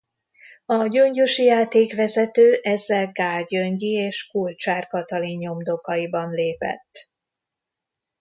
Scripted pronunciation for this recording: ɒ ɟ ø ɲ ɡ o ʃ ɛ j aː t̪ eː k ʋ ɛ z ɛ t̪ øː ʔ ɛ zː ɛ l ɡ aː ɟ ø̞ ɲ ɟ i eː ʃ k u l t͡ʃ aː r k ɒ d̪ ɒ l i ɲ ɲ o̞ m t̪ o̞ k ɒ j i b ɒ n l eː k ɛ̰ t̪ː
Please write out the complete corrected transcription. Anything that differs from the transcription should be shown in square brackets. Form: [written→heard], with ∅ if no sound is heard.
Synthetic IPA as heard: ɒ ɟ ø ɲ [ɡ→ɟ] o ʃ [ɛ→i] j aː t̪ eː k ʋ ɛ z ɛ t̪ øː ʔ ɛ zː ɛ l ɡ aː ɟ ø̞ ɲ ɟ i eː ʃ k u l t͡ʃ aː r k ɒ [d̪→t̪] ɒ l i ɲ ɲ o̞ m [t̪→d̪] o̞ k ɒ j i b ɒ n l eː [k→p] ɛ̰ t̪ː